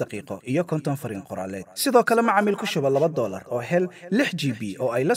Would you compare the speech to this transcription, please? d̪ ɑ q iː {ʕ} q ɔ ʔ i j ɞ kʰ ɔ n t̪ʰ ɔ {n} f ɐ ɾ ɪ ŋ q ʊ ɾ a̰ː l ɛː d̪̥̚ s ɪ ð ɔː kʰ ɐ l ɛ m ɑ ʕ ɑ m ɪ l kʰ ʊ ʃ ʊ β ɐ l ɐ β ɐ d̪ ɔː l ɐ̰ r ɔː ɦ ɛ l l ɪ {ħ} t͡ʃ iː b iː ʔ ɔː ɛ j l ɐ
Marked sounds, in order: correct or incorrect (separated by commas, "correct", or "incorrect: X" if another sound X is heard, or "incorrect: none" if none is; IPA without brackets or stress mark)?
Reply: incorrect: none, correct, correct